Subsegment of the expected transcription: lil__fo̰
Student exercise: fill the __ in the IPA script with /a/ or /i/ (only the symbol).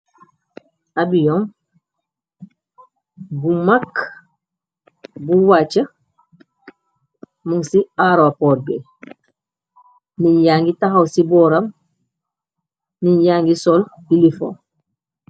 i